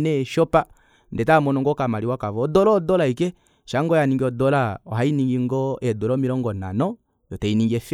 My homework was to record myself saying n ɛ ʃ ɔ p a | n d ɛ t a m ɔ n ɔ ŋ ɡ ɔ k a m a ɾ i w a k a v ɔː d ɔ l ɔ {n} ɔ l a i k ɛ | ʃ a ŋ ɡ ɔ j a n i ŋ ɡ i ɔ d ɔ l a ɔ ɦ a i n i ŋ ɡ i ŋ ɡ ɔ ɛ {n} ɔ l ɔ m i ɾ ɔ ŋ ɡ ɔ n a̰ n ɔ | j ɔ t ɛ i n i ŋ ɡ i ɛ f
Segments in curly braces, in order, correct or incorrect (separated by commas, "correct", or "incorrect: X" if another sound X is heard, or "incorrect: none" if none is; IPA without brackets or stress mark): incorrect: d, incorrect: d